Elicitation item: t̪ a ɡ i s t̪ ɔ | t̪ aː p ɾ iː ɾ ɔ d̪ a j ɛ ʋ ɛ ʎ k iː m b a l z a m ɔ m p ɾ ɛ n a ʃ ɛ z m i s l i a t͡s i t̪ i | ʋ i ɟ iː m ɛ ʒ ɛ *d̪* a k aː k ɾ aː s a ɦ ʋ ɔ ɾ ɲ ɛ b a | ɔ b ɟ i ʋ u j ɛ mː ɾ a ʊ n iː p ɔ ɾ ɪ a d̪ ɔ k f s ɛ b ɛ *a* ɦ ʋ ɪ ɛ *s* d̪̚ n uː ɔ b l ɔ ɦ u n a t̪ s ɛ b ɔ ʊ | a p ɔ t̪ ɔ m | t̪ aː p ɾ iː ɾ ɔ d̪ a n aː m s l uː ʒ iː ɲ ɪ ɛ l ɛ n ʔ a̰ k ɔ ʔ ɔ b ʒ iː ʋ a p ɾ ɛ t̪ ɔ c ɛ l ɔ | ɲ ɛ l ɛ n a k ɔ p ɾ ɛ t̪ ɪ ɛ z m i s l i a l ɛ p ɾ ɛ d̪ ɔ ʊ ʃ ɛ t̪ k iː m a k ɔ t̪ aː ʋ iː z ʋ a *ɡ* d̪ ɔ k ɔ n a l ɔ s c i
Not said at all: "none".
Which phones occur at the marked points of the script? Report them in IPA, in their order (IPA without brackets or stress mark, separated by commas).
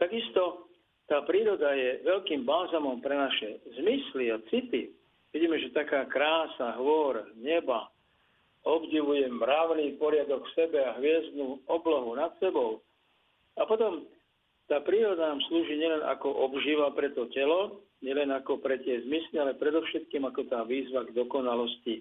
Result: t̪, a, z, ɡ